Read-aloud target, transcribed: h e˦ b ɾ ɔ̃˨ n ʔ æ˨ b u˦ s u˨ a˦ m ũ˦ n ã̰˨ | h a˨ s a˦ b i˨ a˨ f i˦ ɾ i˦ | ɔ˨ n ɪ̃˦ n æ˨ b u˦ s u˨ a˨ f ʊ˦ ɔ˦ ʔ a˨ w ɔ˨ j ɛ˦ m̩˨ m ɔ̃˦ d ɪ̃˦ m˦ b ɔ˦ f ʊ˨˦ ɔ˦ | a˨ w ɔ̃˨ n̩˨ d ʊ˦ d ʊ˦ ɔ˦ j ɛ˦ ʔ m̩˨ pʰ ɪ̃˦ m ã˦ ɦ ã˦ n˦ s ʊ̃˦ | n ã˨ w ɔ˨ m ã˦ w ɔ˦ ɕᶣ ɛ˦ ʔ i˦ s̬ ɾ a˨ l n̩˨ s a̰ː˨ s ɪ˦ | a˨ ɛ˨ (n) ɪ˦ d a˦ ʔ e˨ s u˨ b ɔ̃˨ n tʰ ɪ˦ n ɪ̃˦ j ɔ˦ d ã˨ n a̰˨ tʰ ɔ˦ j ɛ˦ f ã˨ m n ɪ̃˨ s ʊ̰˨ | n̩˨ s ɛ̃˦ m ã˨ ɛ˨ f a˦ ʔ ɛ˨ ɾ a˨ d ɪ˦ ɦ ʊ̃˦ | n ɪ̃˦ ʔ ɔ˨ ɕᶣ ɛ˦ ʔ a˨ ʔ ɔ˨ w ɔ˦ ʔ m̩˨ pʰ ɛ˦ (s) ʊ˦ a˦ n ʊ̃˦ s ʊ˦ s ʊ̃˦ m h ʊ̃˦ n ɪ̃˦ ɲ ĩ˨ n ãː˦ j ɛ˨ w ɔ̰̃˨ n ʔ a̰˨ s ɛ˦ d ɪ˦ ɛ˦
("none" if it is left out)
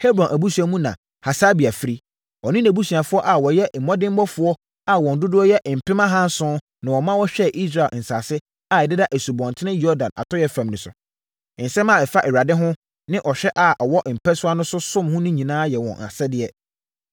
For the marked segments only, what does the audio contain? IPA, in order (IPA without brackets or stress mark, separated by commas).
d, s